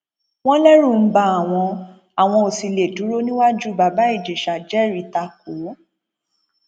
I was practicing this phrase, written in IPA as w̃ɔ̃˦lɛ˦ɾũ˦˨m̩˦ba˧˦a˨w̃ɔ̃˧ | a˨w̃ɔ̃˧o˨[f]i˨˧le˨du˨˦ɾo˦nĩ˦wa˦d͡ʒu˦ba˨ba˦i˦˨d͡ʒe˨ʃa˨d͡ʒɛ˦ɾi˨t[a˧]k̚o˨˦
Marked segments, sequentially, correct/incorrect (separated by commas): incorrect, correct